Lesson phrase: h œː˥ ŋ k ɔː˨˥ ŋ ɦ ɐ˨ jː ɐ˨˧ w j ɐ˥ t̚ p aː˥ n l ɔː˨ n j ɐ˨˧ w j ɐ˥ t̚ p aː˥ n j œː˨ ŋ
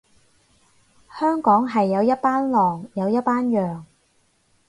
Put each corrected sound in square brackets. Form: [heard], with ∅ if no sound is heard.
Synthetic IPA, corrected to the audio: h œː˥ ŋ k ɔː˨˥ ŋ ɦ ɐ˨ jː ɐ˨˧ w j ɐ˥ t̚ p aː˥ n l ɔː˨ [ŋ] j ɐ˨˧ w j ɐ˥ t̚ p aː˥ n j œː˨ ŋ